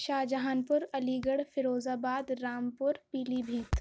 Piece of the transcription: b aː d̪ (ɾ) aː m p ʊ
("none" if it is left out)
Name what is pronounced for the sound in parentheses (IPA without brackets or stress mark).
ɾ